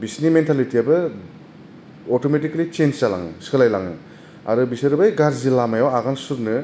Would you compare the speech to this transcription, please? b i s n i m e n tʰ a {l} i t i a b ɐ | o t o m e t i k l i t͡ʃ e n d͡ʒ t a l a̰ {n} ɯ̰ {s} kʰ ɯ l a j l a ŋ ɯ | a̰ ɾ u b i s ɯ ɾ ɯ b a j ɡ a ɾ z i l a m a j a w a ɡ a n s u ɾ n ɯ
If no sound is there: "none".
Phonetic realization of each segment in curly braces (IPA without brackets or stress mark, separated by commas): l, ŋ, s